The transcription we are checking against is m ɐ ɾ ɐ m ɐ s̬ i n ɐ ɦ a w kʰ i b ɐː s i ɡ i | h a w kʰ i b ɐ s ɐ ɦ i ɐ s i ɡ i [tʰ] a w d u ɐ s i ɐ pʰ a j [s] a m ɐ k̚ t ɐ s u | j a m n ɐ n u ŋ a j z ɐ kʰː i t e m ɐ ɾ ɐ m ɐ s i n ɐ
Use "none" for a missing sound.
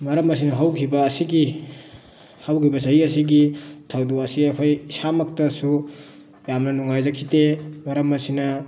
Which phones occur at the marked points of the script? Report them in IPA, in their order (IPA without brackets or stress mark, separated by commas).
tʰ, s